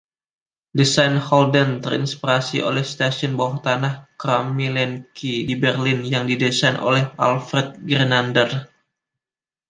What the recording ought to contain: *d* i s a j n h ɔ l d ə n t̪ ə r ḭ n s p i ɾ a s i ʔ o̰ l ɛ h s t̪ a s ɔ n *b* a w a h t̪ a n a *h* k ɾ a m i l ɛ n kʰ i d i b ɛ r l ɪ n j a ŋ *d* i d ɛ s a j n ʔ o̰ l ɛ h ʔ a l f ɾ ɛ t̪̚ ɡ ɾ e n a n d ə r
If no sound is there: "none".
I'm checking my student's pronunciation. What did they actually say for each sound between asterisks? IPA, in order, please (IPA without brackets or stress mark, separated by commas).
d, b, h, d